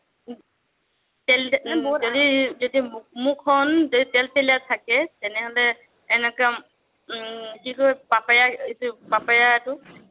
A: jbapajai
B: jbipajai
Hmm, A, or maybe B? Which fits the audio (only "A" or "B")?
A